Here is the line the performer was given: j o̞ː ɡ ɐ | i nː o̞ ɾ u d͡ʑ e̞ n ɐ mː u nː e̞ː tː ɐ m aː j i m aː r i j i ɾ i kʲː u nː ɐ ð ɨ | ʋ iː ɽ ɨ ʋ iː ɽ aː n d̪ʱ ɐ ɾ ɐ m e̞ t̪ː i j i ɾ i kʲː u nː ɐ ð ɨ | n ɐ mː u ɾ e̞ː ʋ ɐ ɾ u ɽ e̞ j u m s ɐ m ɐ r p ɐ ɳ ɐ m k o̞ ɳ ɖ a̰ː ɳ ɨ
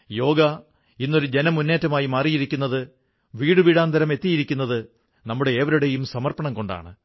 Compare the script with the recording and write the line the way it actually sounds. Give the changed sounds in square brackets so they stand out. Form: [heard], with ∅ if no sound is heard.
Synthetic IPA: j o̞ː ɡ ɐ | i nː o̞ ɾ u d͡ʑ e̞ n ɐ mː u nː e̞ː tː ɐ m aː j i m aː r i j i ɾ i kʲː u nː ɐ ð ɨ | ʋ iː ɽ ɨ ʋ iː ɽ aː n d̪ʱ ɐ ɾ ɐ m e̞ t̪ː i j i ɾ i kʲː u nː ɐ ð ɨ | n ɐ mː u [ɽ] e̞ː ʋ ɐ ɾ u ɽ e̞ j u m s ɐ m ɐ r p ɐ ɳ ɐ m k o̞ ɳ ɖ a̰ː ɳ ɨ